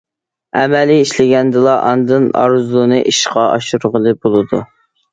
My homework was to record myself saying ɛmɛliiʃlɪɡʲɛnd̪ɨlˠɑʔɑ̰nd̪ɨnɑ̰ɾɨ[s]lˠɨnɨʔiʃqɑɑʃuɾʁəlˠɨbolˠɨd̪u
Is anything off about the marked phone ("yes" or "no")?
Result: yes